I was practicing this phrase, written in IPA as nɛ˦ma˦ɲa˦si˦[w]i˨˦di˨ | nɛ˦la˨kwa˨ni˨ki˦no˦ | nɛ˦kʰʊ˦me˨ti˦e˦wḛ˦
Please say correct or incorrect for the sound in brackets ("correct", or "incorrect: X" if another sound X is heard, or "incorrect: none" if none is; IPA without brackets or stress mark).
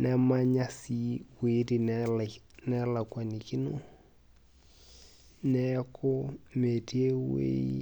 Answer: correct